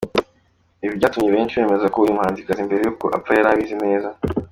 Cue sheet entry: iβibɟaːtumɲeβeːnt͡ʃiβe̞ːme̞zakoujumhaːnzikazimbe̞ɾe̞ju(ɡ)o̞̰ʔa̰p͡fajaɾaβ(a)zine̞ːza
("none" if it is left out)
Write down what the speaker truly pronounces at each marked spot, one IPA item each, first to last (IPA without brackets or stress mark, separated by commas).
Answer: k, i